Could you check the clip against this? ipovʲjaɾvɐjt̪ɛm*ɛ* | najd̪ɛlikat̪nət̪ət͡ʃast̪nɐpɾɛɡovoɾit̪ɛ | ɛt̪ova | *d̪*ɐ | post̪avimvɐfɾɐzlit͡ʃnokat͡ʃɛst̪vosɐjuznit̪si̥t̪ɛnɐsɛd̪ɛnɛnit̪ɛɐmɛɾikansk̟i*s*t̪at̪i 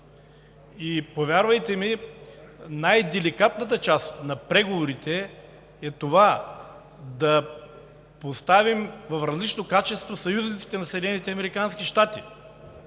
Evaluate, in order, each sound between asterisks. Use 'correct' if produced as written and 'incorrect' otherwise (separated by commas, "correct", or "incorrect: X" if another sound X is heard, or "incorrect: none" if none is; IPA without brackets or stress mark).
incorrect: i, correct, incorrect: ʃ